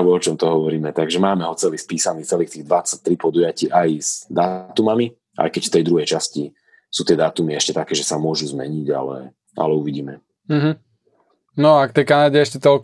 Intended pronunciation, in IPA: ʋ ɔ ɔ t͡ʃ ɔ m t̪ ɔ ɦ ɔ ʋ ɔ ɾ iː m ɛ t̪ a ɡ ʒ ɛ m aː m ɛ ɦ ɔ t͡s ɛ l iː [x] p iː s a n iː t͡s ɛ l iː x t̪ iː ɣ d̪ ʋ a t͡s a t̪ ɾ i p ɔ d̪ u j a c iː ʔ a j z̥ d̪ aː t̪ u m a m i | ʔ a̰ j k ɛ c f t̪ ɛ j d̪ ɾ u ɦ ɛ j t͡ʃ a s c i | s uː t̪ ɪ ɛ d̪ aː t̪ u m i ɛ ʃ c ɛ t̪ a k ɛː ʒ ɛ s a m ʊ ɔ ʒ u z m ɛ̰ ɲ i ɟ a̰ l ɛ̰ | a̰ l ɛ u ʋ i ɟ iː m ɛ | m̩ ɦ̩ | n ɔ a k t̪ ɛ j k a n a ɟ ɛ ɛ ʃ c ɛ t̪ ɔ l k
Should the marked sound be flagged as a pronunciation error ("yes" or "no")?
yes